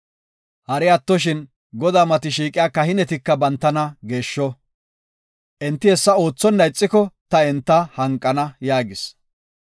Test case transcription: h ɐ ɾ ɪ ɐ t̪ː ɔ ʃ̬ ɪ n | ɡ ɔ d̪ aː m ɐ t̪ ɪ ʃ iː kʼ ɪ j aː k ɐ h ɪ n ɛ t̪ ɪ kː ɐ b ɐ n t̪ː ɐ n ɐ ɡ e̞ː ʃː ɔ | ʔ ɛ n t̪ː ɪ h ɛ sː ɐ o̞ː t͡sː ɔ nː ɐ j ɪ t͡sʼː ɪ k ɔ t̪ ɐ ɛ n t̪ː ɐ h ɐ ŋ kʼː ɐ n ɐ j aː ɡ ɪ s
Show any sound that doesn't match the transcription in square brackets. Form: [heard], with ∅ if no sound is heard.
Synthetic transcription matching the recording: h ɐ ɾ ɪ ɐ t̪ː ɔ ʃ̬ ɪ n | ɡ ɔ d̪ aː m ɐ t̪ ɪ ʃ iː kʼ ɪ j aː k ɐ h ɪ n ɛ t̪ ɪ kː ɐ b ɐ n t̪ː ɐ n ɐ ɡ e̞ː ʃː ɔ | ʔ ɛ n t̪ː ɪ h ɛ sː ɐ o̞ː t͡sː ɔ nː ɐ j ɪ t͡sʼː ɪ k ɔ t̪ ɐ ɛ n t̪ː ɐ h ɐ ŋ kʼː ɐ n ɐ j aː ɡ ɪ s